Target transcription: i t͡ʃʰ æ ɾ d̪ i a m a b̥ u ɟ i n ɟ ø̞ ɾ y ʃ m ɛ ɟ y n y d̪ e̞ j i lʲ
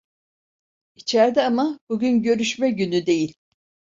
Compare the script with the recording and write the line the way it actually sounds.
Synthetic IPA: i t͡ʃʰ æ ɾ d̪ ɛ a m a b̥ u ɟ y n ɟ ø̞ ɾ y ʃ m ɛ ɟ y n y d̪ e̞ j i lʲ

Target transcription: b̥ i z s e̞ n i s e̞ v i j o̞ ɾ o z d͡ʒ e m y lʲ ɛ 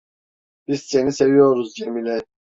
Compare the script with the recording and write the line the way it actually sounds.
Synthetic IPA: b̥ i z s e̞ n i s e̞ v i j o̞ ɾ u z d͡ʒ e m i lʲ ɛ

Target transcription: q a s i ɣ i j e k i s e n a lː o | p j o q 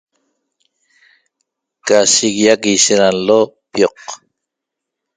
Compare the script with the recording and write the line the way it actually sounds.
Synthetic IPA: k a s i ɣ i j a k i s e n a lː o | p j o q

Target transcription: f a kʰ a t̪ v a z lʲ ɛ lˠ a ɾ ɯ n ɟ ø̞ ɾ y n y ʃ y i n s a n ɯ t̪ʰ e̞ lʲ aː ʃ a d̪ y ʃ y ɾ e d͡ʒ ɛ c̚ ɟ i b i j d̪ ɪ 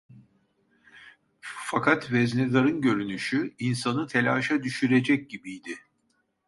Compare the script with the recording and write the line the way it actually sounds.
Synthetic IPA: f a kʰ a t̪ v ɛ z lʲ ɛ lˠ a ɾ ɯ n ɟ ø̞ ɾ y n y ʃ y i n s a n ɯ t̪ʰ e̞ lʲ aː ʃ a d̪ y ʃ y ɾ e d͡ʒ ɛ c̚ ɟ i b i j d̪ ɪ

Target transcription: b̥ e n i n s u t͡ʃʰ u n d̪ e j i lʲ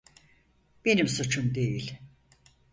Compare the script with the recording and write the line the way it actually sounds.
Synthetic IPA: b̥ e n i m s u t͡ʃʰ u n d̪ e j i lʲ

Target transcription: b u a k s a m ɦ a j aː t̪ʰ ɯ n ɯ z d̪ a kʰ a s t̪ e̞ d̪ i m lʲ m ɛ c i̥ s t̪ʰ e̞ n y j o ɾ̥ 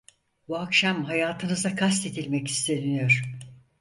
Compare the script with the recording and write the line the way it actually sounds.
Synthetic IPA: b u a k ʃ a m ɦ a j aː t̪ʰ ɯ n ɯ z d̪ a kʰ a s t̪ e̞ d̪ i lʲ m ɛ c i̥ s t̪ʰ e̞ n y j o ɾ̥

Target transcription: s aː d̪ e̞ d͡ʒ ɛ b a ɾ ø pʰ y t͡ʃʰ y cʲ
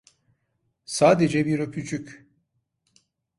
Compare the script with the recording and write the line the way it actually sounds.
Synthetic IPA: s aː d̪ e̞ d͡ʒ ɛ b i ɾ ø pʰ y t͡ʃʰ y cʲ

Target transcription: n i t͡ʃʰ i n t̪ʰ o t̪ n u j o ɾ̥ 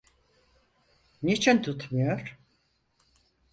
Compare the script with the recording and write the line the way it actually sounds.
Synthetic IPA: n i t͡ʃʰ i n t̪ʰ u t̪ m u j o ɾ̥

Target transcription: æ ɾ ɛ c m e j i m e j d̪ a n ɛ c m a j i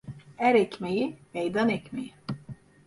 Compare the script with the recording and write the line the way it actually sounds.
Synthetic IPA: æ ɾ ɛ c m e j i m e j d̪ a n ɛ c m e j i

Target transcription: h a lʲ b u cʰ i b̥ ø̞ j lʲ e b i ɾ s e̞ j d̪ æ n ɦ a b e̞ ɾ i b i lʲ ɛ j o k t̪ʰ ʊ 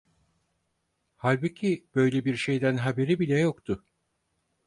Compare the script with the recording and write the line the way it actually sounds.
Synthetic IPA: h a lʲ b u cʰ i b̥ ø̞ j lʲ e b i ɾ ʃ e̞ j d̪ æ n ɦ a b e̞ ɾ i b i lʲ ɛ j o k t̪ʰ ʊ

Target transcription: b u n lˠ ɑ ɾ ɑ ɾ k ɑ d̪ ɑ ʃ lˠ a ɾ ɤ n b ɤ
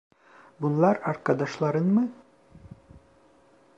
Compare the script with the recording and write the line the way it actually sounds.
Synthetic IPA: b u n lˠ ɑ ɾ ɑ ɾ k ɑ d̪ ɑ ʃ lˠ ɑ ɾ ɤ n m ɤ

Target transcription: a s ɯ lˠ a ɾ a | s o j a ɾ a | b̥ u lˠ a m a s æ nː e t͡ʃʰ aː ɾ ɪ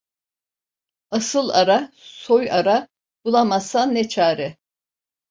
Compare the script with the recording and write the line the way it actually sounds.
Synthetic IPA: a s ɯ lˠ a ɾ a | s o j a ɾ a | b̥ u lˠ a m a s a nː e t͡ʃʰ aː ɾ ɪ

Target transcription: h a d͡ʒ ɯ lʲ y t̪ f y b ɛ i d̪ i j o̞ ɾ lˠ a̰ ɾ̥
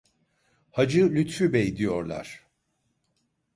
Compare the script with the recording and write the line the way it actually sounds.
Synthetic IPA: h a d͡ʒ ɯ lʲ y t̪ f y b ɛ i d̪ i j o̞ ɾ lˠ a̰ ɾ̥

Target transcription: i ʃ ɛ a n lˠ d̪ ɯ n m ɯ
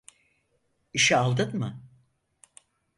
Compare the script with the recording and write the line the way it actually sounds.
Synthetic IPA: i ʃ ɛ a lˠ d̪ ɯ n m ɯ

